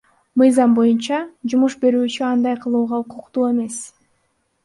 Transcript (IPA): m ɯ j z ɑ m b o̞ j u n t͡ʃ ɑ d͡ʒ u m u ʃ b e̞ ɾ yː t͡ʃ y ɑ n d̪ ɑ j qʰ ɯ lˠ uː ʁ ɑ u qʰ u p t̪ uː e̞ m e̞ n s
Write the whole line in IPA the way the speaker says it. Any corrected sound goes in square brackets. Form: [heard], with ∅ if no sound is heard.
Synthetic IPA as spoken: m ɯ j z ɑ m b o̞ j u n t͡ʃ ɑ d͡ʒ u m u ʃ b e̞ ɾ yː t͡ʃ y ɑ n d̪ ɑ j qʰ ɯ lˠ uː ʁ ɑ u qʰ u [q] t̪ uː e̞ m e̞ [∅] s